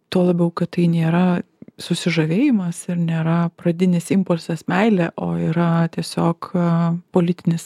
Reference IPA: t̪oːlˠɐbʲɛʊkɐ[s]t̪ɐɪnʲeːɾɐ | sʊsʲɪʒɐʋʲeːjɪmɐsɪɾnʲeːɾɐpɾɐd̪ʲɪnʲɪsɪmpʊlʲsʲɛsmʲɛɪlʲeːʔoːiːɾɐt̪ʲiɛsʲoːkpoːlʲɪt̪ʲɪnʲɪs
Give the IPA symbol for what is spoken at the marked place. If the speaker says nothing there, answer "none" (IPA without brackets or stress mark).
t